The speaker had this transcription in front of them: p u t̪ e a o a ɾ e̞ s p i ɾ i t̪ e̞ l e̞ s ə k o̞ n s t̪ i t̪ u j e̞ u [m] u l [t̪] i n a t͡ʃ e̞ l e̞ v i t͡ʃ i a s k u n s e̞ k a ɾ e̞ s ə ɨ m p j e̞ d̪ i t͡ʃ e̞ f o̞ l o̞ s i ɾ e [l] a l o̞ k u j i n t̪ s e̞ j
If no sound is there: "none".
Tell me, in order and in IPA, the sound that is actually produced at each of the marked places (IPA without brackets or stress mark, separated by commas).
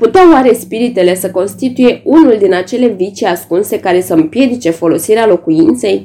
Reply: n, d̪, none